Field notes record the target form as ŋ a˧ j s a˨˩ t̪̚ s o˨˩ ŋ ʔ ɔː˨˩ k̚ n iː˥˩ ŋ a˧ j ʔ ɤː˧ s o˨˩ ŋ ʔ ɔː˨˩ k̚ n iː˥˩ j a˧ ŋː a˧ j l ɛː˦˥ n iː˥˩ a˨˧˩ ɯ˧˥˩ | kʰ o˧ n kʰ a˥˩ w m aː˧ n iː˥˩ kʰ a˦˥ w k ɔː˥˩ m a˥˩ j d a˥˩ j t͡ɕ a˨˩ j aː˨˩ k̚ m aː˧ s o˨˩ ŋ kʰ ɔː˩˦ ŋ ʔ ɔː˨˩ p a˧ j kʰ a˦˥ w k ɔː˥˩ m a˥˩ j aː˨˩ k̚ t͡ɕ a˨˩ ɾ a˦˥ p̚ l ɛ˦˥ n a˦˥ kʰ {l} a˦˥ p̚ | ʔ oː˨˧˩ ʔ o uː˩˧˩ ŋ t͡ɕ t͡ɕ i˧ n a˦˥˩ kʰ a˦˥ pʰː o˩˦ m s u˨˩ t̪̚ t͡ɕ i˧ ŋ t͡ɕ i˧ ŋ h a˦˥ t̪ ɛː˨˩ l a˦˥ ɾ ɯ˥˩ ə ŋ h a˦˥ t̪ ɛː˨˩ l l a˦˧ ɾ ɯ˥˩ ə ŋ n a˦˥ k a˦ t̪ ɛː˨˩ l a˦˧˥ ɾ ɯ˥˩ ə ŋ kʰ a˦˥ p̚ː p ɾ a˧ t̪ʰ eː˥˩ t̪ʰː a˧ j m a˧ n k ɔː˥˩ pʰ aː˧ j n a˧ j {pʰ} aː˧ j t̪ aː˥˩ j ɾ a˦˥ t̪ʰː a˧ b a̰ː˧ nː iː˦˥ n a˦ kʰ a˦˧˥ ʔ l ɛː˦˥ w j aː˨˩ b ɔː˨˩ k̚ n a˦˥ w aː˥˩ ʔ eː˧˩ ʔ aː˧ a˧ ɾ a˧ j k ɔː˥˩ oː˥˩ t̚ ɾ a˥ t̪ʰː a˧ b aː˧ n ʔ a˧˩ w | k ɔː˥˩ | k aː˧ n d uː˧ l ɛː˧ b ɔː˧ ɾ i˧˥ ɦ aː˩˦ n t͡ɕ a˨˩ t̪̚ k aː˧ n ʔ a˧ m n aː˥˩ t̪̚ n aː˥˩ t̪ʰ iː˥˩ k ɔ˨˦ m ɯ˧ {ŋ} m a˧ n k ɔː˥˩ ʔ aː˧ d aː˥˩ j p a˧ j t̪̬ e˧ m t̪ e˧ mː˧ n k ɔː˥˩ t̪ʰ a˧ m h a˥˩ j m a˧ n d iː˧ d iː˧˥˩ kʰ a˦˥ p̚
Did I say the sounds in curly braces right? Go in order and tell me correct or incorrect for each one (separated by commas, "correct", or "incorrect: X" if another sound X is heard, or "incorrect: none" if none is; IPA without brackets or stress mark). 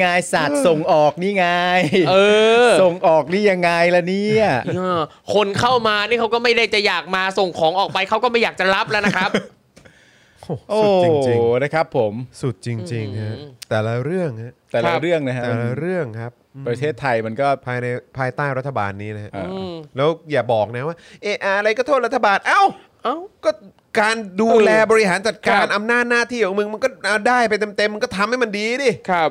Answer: incorrect: ɾ, correct, correct